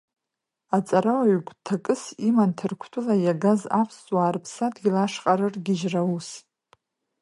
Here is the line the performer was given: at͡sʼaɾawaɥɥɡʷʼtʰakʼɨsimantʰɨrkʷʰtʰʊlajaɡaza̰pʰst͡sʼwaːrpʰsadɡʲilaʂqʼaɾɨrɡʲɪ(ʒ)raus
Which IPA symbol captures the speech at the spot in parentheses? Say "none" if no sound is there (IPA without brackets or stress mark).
ʒ